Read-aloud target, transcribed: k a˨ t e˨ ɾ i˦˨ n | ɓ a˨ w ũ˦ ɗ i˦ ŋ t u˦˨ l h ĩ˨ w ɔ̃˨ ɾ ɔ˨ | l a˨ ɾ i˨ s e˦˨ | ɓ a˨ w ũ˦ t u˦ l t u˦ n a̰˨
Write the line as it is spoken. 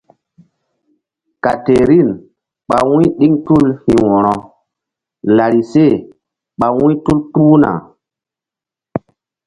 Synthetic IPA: k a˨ t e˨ ɾ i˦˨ n | ɓ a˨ w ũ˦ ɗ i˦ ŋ t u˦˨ l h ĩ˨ w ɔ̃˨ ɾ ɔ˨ | l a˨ ɾ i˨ s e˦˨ | ɓ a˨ w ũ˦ t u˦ l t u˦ n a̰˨